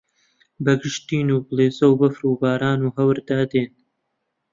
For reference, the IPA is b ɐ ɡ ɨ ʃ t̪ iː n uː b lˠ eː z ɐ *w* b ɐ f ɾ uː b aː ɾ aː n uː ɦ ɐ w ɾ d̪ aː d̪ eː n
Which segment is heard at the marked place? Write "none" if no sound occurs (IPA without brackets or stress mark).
w